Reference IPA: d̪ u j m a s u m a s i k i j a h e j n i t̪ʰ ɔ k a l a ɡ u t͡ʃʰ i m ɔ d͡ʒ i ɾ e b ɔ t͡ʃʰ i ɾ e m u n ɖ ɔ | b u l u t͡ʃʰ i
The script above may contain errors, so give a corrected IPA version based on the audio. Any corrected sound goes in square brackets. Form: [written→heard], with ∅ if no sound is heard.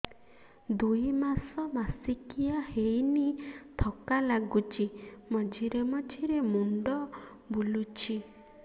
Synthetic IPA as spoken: d̪ u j m a s [u→ɔ] m a s i k i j a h e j n i t̪ʰ ɔ k a l a ɡ u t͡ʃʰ i m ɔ d͡ʒ i ɾ e [b→m] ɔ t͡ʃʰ i ɾ e m u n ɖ ɔ | b u l u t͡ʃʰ i